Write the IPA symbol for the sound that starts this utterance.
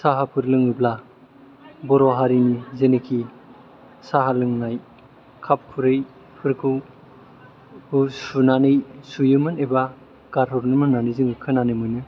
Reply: s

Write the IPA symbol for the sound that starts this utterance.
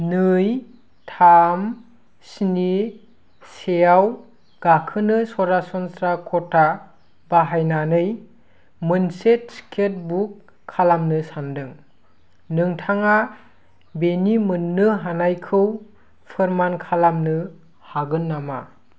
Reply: n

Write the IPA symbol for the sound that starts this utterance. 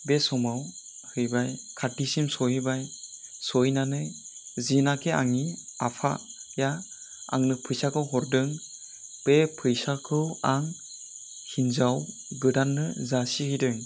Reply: b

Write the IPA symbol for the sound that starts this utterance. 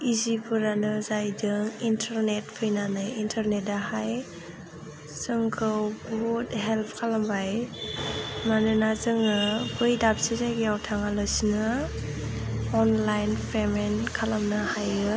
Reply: i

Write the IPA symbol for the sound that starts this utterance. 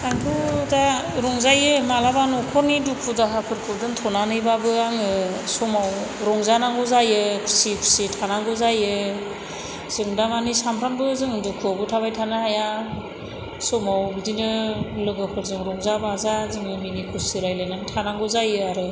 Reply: a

